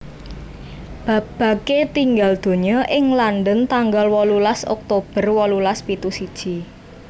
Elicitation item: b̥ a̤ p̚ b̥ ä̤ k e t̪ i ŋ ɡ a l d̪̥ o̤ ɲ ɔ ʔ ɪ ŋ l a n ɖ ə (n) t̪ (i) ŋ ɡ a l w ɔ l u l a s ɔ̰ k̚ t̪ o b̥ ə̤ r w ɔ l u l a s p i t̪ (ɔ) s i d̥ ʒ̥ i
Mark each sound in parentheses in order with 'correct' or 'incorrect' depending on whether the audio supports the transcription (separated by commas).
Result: correct, incorrect, incorrect